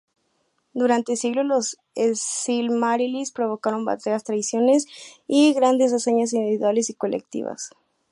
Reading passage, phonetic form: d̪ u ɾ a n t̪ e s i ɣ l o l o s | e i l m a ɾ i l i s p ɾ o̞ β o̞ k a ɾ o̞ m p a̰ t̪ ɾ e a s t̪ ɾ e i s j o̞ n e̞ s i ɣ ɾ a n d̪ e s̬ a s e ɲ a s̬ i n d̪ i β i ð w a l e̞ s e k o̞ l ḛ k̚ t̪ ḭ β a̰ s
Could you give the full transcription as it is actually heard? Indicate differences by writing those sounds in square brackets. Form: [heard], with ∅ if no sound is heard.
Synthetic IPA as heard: d̪ u ɾ a n t̪ e s i ɣ l o l o s | e i l m a ɾ i l i s p ɾ o̞ β o̞ k a ɾ o̞ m [b] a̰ t̪ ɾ e a s t̪ ɾ [a] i s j o̞ n e̞ s i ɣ ɾ a n d̪ e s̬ a s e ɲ a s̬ i n d̪ i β i ð w a l e̞ s [i] k o̞ l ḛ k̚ t̪ ḭ β a̰ s